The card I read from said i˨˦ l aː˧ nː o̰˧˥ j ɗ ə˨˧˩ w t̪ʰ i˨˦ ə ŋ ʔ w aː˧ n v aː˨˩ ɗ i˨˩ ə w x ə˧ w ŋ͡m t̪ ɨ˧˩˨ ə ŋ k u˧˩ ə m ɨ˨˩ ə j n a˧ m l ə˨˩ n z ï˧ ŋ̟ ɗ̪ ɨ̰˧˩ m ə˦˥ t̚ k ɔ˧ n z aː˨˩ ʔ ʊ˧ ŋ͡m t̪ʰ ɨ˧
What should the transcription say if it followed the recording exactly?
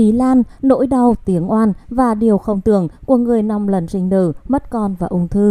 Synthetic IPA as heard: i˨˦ l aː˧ nː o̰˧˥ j ɗ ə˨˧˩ w t̪ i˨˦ ə ŋ ʔ w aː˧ n v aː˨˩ ɗ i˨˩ ə w x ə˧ w ŋ͡m t̪ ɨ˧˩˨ ə ŋ k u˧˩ ə ŋ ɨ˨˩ ə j n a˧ m l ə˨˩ n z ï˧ ŋ̟ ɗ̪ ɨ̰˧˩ m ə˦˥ t̚ k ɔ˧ n v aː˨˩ ʔ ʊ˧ ŋ͡m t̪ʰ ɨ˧